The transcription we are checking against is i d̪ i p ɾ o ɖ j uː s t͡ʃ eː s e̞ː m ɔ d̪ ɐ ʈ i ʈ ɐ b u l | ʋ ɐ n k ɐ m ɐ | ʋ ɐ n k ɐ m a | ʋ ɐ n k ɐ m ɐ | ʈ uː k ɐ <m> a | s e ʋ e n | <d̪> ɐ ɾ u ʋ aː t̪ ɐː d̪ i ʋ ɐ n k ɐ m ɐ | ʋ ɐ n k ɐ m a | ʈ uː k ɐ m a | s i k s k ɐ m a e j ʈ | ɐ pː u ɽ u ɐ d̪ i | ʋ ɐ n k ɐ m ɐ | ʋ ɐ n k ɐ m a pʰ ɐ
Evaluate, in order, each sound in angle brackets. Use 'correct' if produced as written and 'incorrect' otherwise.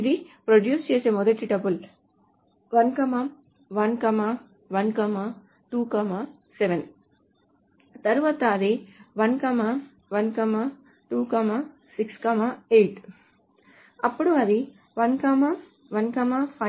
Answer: correct, incorrect: t̪

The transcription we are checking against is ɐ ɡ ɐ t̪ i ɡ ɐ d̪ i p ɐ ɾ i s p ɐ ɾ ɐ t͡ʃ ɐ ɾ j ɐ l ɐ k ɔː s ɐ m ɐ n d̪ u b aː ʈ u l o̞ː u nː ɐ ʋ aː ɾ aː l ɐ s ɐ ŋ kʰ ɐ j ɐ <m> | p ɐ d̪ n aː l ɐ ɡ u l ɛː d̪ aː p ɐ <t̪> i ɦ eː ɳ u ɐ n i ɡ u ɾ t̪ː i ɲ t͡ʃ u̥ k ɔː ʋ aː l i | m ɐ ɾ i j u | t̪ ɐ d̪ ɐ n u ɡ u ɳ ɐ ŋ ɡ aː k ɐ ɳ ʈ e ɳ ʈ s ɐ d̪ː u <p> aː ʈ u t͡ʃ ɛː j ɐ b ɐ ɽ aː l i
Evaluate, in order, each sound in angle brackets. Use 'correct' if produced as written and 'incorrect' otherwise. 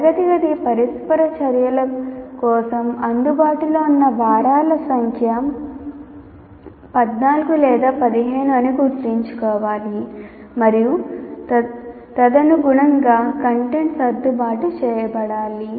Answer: correct, incorrect: d̪, incorrect: b

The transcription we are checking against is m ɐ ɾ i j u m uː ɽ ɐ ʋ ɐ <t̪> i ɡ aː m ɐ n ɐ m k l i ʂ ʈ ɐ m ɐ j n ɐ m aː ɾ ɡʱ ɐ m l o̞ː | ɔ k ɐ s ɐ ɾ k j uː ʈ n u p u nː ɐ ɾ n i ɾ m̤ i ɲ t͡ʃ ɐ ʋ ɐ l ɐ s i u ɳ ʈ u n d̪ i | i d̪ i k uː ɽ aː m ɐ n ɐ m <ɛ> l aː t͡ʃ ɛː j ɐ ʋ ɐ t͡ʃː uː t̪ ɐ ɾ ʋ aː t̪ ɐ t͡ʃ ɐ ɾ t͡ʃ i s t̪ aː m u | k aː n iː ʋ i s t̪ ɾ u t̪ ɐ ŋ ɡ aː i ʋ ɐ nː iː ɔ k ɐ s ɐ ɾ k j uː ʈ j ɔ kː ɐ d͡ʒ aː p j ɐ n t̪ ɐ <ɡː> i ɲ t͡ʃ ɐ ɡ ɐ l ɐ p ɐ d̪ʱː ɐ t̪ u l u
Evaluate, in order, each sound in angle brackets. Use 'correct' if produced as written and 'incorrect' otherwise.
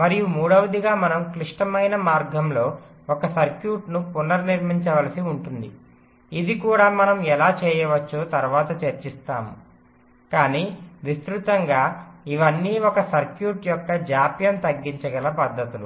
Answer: incorrect: d̪, correct, correct

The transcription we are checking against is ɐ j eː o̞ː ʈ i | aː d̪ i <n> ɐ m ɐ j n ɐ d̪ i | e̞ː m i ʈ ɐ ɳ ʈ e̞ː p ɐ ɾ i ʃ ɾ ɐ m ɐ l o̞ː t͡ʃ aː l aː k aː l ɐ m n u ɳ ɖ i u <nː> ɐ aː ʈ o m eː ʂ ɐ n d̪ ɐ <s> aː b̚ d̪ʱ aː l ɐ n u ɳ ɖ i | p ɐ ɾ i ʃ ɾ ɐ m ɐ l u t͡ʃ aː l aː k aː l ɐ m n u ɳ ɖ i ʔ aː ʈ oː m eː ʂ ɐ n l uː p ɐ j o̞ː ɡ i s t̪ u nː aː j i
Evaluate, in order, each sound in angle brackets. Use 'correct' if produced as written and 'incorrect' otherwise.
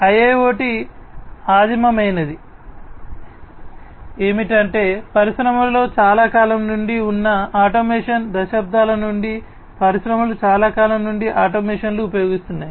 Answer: incorrect: m, correct, incorrect: ʃ

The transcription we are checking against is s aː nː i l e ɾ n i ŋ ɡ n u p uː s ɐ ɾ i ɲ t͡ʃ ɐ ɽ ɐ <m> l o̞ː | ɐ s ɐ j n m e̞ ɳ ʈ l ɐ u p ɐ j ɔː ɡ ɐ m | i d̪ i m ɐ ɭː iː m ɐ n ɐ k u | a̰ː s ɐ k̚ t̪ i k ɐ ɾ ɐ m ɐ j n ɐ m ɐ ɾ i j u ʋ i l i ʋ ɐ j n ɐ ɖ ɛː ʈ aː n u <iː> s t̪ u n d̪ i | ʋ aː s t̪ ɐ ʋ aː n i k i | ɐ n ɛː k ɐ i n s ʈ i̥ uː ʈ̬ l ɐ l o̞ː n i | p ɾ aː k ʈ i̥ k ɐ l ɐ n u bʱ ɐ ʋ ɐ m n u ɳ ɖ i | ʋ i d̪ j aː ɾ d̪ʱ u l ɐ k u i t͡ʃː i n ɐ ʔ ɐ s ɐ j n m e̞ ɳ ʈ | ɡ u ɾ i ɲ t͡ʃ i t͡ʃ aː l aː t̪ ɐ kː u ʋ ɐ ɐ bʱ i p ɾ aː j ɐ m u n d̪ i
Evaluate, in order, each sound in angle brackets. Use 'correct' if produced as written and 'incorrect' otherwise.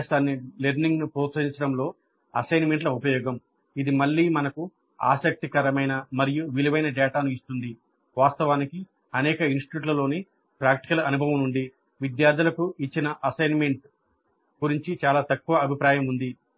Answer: correct, incorrect: i

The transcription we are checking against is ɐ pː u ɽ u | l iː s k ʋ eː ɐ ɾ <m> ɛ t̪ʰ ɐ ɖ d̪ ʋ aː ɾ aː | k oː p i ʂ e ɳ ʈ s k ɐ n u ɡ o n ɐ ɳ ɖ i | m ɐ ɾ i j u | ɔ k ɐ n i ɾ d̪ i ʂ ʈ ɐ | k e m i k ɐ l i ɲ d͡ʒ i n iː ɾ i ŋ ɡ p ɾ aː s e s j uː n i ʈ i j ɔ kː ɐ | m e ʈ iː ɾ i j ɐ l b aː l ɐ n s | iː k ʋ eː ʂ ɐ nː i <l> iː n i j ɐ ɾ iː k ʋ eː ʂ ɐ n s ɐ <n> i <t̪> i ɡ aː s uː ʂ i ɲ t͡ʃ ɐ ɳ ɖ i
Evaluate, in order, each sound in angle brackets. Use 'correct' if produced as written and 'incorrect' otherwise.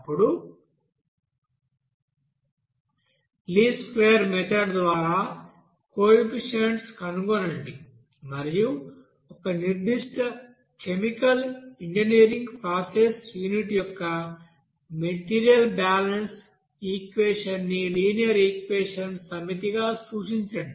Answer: correct, correct, incorrect: m, correct

